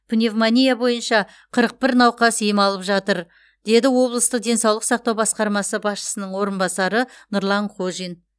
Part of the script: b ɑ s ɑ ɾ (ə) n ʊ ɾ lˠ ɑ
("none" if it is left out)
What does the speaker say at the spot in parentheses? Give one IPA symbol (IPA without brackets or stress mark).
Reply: ə